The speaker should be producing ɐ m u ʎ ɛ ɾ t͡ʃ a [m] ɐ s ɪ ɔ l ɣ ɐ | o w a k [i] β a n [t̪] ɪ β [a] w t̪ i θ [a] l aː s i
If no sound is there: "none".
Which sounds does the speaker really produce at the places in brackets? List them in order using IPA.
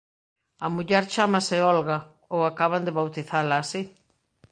m, a, d̪, a, a

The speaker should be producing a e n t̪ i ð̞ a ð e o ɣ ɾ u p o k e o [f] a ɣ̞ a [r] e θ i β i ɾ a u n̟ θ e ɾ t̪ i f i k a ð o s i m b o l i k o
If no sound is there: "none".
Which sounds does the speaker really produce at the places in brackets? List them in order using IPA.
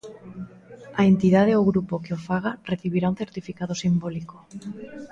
f, r

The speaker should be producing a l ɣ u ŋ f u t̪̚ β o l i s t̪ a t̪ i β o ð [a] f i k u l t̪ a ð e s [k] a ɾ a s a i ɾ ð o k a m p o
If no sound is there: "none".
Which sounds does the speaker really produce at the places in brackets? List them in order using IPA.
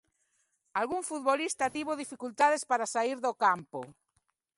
i, p

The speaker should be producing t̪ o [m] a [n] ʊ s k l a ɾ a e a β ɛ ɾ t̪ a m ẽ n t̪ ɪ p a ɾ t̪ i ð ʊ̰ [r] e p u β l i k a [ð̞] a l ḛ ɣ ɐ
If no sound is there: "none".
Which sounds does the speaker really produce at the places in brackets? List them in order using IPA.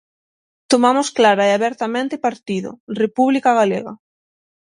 m, m, r, ɣ̞

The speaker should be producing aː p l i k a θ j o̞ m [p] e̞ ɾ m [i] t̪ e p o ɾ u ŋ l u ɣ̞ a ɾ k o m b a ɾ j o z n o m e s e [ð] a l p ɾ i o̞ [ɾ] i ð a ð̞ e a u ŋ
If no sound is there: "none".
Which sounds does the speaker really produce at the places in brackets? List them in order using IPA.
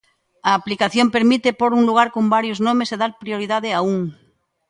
p, i, ð, ɾ

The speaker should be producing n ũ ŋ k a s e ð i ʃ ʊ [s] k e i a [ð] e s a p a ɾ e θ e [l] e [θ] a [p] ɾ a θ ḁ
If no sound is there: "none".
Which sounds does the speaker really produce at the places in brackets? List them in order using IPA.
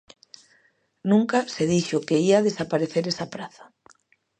none, ð, ɾ, s, p

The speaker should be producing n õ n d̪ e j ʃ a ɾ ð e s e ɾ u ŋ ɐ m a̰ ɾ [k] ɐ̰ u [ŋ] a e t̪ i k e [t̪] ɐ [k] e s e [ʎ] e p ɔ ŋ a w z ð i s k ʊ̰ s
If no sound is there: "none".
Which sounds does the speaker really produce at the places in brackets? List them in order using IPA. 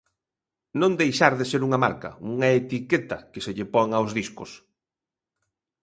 k, ŋ, t̪, k, ʎ

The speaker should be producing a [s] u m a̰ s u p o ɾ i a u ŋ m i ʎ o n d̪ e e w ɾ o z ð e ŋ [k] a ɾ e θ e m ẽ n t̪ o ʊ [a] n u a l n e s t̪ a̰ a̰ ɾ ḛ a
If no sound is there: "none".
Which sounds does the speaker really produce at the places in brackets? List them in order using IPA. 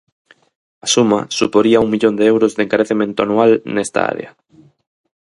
s, k, a

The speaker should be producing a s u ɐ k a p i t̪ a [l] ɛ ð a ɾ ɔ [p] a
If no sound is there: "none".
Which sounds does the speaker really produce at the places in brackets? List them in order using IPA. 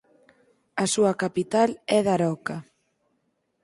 l, k

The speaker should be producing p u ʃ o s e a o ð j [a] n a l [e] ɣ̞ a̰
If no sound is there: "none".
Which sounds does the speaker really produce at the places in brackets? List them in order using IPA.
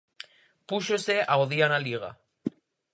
a, i

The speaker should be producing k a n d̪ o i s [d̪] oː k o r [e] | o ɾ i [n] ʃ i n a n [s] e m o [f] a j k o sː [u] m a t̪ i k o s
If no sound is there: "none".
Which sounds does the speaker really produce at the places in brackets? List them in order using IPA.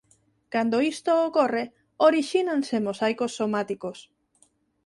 t̪, e, none, s, s, o

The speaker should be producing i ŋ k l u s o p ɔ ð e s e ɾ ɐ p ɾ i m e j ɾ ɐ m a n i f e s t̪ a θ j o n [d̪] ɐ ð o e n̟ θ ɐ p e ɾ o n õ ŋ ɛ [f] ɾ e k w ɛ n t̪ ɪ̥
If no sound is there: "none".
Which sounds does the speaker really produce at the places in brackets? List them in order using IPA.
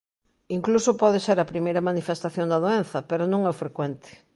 d̪, f

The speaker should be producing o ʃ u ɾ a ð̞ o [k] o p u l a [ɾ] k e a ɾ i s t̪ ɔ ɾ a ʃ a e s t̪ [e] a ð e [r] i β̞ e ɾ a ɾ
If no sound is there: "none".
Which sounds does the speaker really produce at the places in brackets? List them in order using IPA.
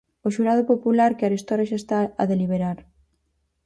p, ɾ, a, l

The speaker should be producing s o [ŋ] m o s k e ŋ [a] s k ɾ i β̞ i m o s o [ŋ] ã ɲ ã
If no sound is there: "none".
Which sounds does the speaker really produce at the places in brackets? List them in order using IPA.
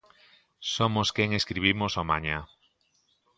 none, e, m

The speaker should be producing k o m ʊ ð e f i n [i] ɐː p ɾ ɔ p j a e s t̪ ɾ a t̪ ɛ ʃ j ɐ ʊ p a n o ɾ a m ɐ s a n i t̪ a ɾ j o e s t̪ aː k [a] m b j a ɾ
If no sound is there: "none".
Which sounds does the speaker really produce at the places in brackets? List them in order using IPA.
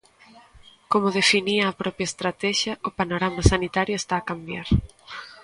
i, a

